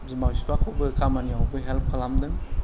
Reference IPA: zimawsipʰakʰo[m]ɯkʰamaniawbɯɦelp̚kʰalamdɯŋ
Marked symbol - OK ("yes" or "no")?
no